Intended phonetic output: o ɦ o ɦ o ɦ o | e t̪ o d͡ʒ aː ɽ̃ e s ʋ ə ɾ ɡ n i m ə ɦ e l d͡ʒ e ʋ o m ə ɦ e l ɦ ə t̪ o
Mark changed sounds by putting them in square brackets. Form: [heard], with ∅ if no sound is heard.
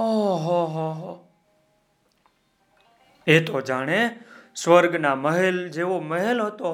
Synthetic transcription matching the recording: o ɦ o ɦ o ɦ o | e t̪ o d͡ʒ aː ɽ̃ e s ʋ ə ɾ ɡ n [a] m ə ɦ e l d͡ʒ e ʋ o m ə ɦ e l ɦ ə t̪ o